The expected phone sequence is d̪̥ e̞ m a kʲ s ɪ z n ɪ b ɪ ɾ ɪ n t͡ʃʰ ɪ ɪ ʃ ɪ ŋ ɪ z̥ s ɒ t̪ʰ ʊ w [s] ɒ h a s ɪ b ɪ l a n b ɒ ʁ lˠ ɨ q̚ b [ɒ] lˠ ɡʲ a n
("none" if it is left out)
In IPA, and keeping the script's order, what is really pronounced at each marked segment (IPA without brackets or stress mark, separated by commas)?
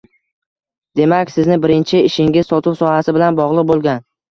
s, o